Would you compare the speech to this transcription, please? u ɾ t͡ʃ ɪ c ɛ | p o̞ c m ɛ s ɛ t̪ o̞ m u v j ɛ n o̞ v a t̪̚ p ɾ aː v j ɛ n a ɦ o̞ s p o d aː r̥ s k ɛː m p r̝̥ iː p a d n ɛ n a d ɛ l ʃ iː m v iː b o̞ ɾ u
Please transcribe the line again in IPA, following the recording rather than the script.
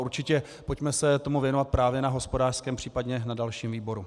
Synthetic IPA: u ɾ t͡ʃ ɪ c ɛ | p o̞ c m ɛ s ɛ t̪ o̞ m u v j ɛ n o̞ v a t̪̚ p ɾ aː v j ɛ n a ɦ o̞ s p o d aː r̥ s k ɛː m p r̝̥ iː p a d ɲ ɛ n a d a l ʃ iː m v iː b o̞ ɾ u